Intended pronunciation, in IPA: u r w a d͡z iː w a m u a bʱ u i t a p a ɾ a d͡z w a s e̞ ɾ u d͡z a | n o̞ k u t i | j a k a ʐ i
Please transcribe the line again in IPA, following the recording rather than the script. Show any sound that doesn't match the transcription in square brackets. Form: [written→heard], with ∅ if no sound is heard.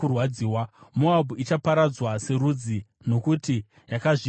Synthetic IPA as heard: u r w a d͡z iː w a m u a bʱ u i [t→t͡ʃ] a p a ɾ a d͡z w a s e̞ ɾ u d͡z [a→i] | n o̞ k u t i | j a k a ʐ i

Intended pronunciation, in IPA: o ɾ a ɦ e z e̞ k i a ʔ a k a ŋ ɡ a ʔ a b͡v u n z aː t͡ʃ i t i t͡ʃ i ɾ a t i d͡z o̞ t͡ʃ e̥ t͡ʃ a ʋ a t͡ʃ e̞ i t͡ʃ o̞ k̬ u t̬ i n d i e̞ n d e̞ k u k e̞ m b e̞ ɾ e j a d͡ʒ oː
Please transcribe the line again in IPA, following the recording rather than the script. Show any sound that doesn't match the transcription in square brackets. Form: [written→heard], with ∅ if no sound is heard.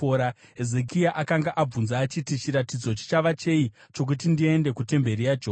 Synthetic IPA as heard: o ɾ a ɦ e z e̞ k i a ʔ a k a ŋ ɡ a ʔ a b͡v u n z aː t͡ʃ i t i t͡ʃ i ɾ a t i d͡z o̞ t͡ʃ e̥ t͡ʃ a ʋ a t͡ʃ e̞ i t͡ʃ o̞ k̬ u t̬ i n d i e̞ n d e̞ k u [k→t] e̞ m b e̞ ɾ [e→i] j a d͡ʒ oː

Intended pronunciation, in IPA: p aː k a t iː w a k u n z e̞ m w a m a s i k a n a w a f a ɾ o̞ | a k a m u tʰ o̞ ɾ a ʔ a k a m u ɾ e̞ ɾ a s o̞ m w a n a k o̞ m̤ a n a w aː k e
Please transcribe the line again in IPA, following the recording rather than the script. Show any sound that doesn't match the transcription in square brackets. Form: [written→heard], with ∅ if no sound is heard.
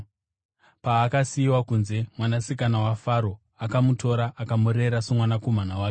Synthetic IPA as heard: p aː k a [t→s] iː w a k u n z e̞ m w a [m→n] a s i k a n a w a f a ɾ o̞ | a k a m u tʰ o̞ ɾ a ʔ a k a m u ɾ e̞ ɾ a s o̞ m w a n a k o̞ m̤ a n a w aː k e

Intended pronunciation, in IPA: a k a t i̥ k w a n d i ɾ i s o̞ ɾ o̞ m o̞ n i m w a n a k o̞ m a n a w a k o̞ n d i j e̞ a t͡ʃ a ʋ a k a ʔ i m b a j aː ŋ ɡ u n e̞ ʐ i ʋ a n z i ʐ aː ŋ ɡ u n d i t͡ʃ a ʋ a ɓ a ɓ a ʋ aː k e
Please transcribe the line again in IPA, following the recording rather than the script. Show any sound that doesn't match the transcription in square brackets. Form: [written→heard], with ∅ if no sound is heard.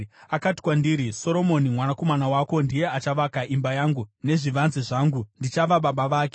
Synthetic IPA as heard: a k a t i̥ k w a n d i ɾ i s o̞ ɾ o̞ m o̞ n i m w a n a k o̞ m a n a w a k o̞ n d i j e̞ a t͡ʃ a ʋ a k a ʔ i m b a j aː ŋ ɡ u n e̞ ʐ i ʋ a n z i ʐ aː ŋ ɡ u n d i t͡ʃ a ʋ a ɓ a ɓ a ʋ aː k e

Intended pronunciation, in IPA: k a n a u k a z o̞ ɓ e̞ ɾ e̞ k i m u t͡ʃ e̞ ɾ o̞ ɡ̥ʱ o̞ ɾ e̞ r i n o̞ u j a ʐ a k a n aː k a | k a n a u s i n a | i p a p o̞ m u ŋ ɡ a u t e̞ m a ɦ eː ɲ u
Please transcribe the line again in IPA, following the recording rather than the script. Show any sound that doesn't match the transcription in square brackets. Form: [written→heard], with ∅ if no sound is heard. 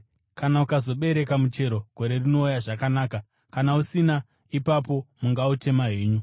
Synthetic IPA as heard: k a n a u k a z o̞ ɓ e̞ ɾ e̞ k [i→a] m u t͡ʃ e̞ ɾ o̞ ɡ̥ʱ o̞ ɾ e̞ r i n o̞ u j a ʐ a k a n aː k a | k a n a u s i n a | i p a p o̞ m u ŋ ɡ a u t e̞ m a ɦ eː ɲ u

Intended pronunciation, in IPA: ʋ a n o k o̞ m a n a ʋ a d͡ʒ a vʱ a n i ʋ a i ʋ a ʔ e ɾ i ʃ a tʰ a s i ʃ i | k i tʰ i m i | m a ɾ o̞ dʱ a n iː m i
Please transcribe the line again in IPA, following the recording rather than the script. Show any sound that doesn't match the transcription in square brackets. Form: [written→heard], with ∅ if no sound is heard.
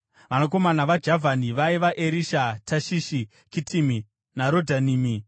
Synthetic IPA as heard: ʋ a n o k o̞ m a n a ʋ a d͡ʒ a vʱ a n i ʋ a i ʋ a ʔ e ɾ i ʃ a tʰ a [s→ʃ] i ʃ i | k i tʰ i m i | [m→n] a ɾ o̞ dʱ a n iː m i

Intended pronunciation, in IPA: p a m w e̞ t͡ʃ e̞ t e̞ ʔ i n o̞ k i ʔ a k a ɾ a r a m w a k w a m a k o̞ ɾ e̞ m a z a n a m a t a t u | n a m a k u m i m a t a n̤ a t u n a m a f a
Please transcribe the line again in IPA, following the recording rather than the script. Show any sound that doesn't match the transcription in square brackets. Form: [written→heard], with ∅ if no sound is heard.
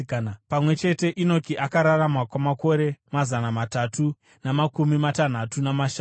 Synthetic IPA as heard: p a m w e̞ t͡ʃ e̞ t e̞ ʔ i n o̞ k i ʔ a k a ɾ a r a m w a k w a m a k o̞ ɾ e̞ m a z a n a m a t a t u | n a m a k u m i m a t a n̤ a t u n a m a [f→ʃ] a

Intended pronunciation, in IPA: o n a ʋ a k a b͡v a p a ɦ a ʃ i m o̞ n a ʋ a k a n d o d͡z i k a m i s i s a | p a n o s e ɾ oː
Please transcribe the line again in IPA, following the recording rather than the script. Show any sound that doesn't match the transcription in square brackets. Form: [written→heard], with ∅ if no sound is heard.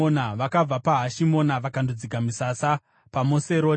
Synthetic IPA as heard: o n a ʋ a k a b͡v a p a ɦ a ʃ i m o̞ n a ʋ a k a n d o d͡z i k a m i s [i→a] s a | p a [n→m] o s e ɾ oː

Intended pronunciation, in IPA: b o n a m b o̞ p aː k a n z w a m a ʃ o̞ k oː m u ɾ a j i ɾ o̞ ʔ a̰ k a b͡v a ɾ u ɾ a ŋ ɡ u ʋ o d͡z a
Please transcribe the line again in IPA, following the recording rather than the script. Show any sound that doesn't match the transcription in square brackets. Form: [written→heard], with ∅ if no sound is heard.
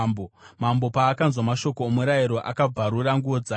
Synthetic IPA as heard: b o [n→m] a m b o̞ p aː k a n z w a m a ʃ o̞ k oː m u ɾ a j i ɾ o̞ ʔ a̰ k a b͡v a ɾ u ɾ a ŋ ɡ u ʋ o d͡z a

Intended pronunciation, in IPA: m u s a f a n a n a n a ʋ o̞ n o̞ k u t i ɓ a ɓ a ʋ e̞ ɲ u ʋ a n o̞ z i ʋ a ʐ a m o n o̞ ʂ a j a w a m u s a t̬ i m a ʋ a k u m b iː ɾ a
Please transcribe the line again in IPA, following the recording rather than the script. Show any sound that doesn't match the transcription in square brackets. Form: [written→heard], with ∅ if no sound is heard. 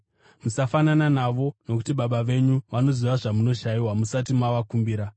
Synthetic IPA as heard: m u s a f a n a n a n a ʋ o̞ n o̞ k u t i ɓ a ɓ a ʋ e̞ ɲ u ʋ a n o̞ z i ʋ a ʐ a m [o→u] n o̞ [ʂ→ʃ] a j [a→i] w a m u s a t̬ i m a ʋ a k u m b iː ɾ a

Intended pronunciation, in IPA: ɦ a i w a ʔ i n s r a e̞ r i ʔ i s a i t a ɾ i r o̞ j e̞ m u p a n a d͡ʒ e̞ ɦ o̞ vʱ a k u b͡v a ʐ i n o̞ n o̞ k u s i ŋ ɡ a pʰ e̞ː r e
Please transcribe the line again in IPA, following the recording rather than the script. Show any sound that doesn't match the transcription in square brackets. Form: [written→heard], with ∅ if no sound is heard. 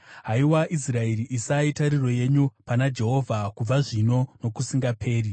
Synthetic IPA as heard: ɦ a i w a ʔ i [n→∅] s r a e̞ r i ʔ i s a i t a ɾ i r o̞ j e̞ [m→ɲ] u p a n a d͡ʒ e̞ ɦ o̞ vʱ a k u b͡v a ʐ i n o̞ n o̞ k u s i ŋ ɡ a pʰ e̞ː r [e→i]

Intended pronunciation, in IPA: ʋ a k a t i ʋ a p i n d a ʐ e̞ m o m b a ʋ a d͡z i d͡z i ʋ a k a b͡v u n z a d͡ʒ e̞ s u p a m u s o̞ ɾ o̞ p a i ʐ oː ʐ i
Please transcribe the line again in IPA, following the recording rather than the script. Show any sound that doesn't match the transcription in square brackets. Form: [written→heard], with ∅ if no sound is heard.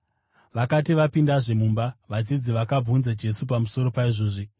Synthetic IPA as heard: ʋ a k a t i ʋ a p i n d a ʐ e̞ m [o→u] m b a ʋ a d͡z i d͡z i ʋ a k a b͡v u n z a d͡ʒ e̞ s u p a m u s o̞ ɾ o̞ p a i ʐ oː ʐ i

